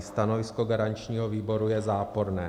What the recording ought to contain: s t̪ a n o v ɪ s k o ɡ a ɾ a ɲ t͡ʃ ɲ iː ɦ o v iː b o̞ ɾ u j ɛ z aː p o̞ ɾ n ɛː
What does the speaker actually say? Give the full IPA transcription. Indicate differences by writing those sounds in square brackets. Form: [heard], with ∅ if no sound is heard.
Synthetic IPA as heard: s t̪ a n o v ɪ s k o ɡ a ɾ a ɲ t͡ʃ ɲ iː ɦ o v iː b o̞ ɾ u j ɛ z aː p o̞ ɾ n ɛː